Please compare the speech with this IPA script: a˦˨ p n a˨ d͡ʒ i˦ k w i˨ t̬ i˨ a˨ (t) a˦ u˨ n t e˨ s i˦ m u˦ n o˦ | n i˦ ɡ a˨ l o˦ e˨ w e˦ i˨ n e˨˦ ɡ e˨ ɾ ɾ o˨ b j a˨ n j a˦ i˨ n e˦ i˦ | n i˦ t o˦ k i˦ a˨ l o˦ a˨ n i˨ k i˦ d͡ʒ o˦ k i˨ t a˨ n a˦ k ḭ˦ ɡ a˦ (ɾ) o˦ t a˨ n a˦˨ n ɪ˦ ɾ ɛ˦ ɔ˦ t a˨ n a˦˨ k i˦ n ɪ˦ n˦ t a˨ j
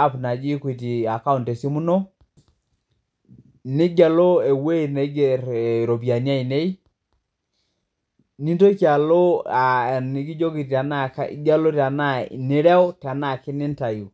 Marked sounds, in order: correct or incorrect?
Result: incorrect: k, incorrect: l

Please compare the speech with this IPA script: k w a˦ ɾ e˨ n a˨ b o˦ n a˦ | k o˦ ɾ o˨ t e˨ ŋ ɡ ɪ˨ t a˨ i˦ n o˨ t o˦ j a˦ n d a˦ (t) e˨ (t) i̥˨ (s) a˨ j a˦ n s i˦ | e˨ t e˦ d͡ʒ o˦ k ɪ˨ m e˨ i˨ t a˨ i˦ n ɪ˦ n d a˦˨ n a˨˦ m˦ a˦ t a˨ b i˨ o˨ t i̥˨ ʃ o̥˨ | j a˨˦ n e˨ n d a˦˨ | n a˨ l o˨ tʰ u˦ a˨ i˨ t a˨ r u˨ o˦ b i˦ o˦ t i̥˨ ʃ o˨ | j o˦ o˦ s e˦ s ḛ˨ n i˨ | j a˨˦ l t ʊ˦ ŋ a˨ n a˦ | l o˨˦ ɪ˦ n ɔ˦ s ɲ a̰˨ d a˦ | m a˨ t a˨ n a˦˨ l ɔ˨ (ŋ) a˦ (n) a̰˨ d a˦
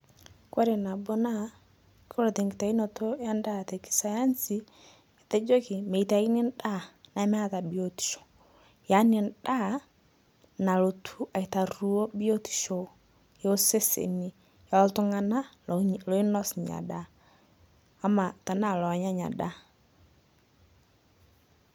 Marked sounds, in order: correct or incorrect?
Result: correct, incorrect: k, correct, incorrect: ɲ, incorrect: ɲ

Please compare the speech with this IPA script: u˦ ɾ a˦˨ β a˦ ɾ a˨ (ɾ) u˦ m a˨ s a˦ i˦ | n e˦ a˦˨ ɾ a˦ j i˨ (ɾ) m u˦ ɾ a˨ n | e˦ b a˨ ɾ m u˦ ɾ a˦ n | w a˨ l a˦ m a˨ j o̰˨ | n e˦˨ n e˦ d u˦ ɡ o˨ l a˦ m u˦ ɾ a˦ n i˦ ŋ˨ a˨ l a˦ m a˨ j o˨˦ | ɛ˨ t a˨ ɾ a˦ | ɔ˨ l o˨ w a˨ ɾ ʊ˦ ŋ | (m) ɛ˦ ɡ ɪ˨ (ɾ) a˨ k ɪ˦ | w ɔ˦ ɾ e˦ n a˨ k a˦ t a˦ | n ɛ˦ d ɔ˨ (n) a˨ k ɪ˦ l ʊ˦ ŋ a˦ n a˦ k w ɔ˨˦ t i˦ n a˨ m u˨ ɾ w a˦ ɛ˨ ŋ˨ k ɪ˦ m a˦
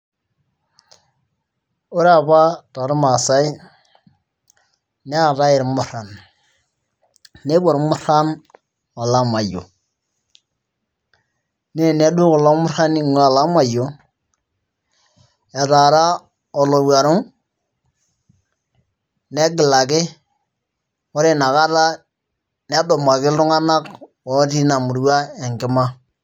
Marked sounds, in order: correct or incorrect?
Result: correct, correct, incorrect: n, incorrect: l, incorrect: m

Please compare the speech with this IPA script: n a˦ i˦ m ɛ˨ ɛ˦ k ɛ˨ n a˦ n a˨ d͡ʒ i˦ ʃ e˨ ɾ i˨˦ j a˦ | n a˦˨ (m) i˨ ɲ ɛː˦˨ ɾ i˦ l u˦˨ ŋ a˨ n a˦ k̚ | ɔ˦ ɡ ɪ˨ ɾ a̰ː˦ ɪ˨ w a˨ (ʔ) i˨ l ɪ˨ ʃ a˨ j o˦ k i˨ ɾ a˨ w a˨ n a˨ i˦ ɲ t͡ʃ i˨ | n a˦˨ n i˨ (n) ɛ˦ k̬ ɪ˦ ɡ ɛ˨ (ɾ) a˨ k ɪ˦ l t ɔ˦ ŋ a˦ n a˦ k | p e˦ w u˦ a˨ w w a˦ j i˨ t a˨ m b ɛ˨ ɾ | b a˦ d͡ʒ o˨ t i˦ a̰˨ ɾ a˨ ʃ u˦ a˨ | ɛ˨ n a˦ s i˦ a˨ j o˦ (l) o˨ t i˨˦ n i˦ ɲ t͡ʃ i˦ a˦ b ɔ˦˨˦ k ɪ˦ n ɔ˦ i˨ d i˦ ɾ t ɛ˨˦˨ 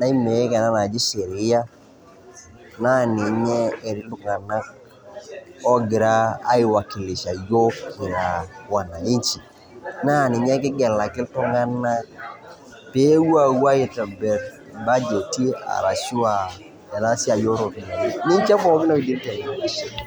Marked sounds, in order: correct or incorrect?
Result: incorrect: n, incorrect: k, incorrect: ɲ, incorrect: l, incorrect: ɾ

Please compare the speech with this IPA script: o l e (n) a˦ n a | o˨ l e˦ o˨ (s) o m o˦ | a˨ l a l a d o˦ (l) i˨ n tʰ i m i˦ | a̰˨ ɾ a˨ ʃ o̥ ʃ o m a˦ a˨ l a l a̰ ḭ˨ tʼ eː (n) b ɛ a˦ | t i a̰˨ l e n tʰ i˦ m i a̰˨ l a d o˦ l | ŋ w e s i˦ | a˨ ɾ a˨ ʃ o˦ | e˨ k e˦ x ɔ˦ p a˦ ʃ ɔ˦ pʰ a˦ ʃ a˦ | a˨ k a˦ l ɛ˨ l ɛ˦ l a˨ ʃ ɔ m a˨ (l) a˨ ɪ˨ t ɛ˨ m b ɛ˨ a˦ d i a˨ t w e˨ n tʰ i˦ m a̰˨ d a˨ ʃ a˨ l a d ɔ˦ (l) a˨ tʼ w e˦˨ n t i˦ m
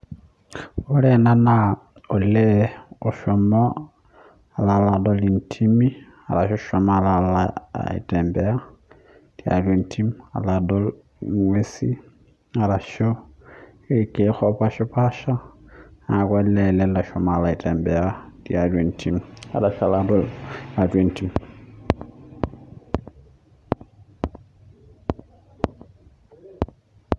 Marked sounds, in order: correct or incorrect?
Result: correct, incorrect: ʃ, correct, incorrect: m, correct, correct

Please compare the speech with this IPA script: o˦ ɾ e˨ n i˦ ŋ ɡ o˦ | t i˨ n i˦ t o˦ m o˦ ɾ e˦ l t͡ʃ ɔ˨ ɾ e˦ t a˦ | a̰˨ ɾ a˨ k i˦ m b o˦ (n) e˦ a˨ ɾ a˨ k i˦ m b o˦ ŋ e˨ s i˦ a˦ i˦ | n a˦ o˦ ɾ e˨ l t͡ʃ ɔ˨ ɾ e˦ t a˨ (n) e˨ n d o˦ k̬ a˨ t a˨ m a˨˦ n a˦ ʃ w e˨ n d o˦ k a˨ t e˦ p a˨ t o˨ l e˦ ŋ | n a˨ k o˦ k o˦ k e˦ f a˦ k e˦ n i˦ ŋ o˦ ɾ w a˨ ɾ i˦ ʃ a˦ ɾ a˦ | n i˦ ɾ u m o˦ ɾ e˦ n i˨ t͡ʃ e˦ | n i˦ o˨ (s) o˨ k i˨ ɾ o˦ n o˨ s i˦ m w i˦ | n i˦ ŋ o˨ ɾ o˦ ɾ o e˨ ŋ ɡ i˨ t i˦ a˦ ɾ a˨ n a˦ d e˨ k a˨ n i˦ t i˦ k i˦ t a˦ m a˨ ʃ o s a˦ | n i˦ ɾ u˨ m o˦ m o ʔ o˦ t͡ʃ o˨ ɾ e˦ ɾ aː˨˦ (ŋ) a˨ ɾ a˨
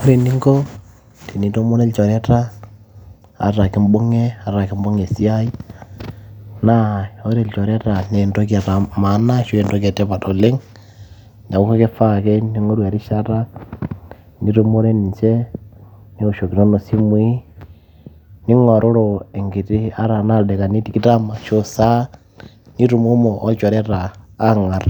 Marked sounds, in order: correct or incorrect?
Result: incorrect: ŋ, correct, incorrect: ʃ, correct

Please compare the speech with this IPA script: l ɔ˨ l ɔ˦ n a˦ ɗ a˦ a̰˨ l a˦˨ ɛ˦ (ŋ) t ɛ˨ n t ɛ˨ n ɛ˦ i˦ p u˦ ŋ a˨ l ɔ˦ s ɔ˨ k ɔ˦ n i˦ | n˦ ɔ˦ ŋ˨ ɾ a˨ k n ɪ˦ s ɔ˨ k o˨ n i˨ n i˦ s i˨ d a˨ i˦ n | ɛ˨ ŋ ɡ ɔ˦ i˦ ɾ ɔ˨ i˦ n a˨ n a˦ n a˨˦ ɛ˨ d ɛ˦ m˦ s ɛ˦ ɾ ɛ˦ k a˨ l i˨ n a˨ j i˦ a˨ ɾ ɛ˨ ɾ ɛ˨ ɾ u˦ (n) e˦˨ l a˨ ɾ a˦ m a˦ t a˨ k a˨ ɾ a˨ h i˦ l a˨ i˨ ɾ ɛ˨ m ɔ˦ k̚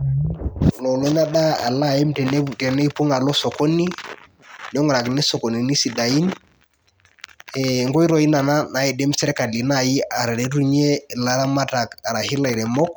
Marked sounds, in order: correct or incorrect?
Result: incorrect: m, incorrect: ɲ

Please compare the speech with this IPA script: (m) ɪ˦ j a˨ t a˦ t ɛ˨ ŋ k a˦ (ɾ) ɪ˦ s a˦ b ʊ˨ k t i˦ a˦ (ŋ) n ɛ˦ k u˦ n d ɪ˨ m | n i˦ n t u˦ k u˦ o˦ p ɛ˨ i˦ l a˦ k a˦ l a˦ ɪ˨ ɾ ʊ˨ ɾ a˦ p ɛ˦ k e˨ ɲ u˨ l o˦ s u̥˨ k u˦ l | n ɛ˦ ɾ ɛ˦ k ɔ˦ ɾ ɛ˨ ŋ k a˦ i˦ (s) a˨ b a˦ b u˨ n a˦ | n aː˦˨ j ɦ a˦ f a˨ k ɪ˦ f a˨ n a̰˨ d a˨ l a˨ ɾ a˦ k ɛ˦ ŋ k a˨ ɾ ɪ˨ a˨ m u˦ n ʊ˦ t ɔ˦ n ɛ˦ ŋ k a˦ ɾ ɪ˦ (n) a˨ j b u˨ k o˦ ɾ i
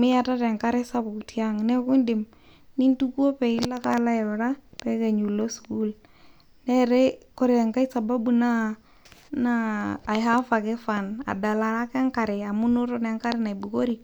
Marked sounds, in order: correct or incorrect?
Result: correct, correct, correct, correct, correct

